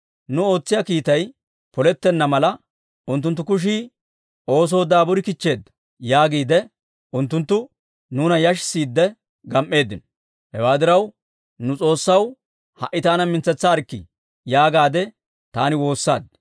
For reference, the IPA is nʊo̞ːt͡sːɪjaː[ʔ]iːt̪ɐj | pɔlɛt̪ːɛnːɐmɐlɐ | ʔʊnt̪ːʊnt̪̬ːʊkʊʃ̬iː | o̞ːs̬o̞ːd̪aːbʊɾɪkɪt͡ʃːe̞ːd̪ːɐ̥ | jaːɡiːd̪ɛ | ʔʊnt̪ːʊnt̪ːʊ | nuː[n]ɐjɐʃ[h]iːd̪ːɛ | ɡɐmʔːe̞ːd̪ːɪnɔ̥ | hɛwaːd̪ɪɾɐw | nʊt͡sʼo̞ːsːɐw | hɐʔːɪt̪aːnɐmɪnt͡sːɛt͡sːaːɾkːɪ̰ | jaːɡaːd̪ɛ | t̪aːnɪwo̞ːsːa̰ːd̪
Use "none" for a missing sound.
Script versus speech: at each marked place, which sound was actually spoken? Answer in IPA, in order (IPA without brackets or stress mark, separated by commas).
k, n, s